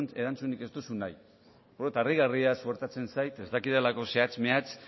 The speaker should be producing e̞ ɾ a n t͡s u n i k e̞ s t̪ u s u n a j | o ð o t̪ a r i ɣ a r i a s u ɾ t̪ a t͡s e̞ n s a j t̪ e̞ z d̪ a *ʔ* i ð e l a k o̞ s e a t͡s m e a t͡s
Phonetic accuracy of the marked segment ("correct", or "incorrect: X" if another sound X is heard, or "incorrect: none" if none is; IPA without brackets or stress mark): incorrect: k